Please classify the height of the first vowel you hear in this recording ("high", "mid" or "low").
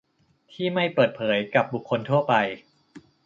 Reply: high